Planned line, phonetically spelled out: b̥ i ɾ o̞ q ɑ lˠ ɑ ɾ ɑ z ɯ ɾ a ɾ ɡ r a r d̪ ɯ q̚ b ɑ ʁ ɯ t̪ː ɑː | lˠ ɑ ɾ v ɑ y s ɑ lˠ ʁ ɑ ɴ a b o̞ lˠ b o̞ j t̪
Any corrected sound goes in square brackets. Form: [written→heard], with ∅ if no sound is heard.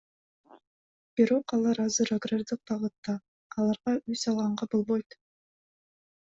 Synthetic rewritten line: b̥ i ɾ o̞ q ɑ lˠ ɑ ɾ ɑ z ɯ ɾ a [ɾ→∅] ɡ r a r d̪ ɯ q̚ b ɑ ʁ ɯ t̪ː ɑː | lˠ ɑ ɾ [v→ʁ] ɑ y s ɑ lˠ ʁ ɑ ɴ [a→ɑ] b o̞ lˠ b o̞ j t̪